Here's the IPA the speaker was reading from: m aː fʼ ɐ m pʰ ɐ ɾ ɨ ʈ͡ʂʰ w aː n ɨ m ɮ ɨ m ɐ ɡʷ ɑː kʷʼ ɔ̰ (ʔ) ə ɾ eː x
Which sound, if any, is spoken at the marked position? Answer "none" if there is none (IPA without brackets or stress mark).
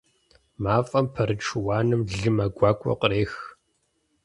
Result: q